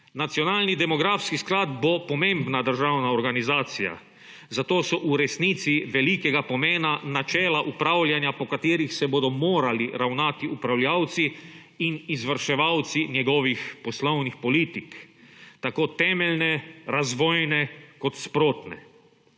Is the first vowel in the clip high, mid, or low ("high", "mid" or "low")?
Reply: low